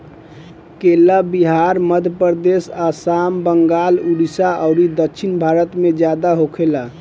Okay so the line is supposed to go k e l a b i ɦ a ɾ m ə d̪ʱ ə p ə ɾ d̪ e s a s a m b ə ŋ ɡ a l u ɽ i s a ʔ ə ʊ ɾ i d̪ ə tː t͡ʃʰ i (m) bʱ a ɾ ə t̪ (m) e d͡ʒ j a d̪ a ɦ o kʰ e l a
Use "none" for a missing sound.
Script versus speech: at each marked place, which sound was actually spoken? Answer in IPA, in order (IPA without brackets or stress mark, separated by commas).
n, m